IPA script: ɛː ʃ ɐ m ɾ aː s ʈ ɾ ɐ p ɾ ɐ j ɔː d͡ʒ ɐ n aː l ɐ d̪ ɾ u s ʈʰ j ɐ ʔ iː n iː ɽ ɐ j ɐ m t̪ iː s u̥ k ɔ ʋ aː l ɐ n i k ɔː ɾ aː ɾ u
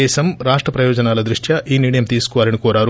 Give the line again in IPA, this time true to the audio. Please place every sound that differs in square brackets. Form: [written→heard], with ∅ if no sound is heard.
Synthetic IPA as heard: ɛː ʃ ɐ m ɾ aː [s→ʂ] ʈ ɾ ɐ p ɾ ɐ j ɔː d͡ʒ ɐ n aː l ɐ d̪ ɾ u [s→ʂ] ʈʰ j ɐ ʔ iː n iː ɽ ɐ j ɐ m t̪ iː s u̥ k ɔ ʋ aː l ɐ n i k ɔː ɾ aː ɾ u